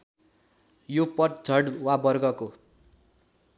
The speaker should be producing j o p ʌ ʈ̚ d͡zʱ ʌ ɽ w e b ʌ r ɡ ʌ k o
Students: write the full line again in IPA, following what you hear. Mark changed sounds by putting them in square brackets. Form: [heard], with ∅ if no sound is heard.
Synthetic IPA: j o p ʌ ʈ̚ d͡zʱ ʌ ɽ w [a] b ʌ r ɡ ʌ k o